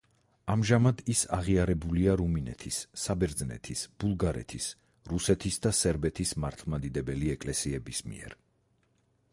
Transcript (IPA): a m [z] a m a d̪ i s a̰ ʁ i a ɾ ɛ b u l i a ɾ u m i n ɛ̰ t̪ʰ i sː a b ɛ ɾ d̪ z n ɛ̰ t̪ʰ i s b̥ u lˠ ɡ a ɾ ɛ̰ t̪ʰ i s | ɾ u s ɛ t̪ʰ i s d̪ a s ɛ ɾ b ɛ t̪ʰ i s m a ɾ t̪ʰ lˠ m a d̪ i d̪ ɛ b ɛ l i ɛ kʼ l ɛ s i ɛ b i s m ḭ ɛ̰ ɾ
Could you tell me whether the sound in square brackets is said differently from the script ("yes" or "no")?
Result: yes